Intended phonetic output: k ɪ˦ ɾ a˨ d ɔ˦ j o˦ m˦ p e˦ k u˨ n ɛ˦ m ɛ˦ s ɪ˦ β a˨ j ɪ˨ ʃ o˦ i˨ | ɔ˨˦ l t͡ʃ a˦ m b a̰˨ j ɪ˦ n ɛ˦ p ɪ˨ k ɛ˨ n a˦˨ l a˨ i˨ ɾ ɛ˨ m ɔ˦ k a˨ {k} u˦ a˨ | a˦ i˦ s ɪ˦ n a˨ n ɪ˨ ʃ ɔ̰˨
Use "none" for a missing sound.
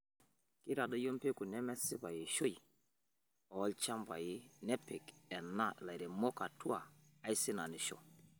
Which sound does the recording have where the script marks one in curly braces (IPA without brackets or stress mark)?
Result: t